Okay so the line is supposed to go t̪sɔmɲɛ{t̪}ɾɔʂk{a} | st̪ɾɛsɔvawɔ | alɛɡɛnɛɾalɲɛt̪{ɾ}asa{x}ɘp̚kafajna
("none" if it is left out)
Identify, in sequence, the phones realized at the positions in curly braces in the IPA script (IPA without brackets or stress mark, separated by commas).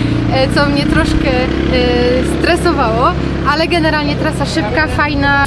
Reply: t̪, ɛ, ɾ, ʂ